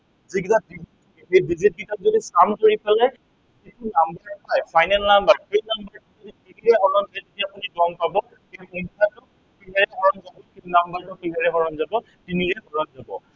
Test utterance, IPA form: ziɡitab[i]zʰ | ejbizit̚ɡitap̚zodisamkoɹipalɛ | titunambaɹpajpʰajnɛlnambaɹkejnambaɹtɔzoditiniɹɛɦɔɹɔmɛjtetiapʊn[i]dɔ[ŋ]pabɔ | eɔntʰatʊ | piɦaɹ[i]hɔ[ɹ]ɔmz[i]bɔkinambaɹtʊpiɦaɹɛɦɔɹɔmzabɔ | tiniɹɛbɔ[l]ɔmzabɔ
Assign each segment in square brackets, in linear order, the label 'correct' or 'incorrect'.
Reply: correct, correct, correct, incorrect, correct, incorrect, incorrect

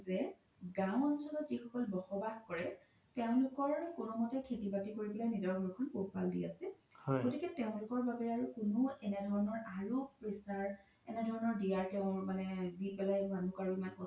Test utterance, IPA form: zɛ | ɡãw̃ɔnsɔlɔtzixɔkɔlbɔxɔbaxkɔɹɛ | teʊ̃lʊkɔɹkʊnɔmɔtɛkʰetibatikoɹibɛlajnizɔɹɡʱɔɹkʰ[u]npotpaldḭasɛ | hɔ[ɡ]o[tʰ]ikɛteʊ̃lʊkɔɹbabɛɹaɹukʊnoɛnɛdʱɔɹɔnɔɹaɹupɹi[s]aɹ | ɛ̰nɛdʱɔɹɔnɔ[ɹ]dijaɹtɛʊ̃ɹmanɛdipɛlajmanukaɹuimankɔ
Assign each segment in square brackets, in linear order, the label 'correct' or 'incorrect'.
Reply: incorrect, correct, incorrect, correct, correct

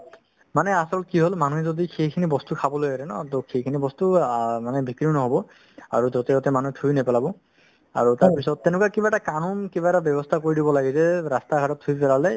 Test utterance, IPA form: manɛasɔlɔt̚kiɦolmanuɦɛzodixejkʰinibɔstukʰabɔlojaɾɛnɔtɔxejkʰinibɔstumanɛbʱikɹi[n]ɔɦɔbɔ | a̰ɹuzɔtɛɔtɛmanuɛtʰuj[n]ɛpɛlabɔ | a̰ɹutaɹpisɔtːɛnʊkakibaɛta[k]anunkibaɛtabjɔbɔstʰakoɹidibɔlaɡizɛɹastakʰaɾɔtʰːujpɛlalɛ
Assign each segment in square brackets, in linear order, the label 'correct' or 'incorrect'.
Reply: correct, correct, correct

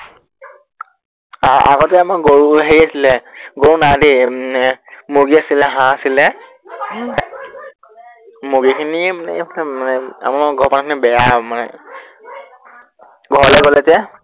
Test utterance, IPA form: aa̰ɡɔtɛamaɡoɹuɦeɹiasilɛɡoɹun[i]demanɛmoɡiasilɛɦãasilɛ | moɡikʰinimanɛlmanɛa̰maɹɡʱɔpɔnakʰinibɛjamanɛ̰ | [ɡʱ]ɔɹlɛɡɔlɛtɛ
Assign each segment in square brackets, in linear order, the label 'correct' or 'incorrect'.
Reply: incorrect, correct

